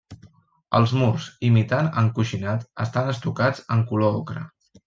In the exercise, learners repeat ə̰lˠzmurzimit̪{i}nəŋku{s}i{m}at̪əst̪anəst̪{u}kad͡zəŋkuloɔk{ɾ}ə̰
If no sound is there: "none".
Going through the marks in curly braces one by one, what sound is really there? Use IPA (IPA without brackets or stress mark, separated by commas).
a, ʃ, n, u, ɾ